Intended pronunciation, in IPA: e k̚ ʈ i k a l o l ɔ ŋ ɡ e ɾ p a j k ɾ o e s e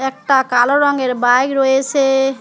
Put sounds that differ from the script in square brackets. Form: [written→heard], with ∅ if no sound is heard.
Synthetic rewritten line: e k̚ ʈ [i→a] k a l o [l→ɾ] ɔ ŋ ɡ e ɾ [p→b] a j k ɾ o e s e